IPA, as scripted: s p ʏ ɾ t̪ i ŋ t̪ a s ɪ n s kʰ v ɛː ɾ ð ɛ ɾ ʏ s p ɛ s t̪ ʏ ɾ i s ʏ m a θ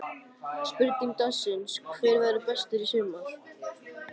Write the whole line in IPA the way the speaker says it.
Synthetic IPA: s p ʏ ɾ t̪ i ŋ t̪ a s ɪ n s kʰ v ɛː ɾ v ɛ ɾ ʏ p ɛ s t̪ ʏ ɾ i s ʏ m a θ